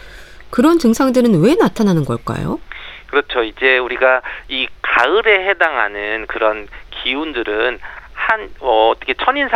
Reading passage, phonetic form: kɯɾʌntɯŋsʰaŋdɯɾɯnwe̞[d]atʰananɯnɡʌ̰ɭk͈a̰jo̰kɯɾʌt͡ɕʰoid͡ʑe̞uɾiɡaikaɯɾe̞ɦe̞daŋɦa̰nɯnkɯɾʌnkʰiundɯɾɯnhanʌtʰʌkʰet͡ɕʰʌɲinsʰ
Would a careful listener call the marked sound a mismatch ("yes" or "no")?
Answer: yes